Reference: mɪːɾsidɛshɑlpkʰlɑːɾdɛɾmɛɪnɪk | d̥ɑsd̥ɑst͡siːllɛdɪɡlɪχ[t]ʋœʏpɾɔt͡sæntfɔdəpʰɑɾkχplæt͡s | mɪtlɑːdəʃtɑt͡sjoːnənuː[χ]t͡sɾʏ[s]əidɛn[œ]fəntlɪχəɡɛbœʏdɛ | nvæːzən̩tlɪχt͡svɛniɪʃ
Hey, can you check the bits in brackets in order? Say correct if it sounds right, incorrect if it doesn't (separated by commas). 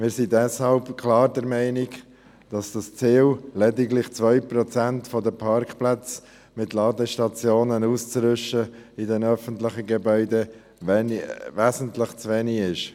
incorrect, incorrect, incorrect, correct